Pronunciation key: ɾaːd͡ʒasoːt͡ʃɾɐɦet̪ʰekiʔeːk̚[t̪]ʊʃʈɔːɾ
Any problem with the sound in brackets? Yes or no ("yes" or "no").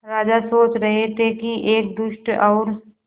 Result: yes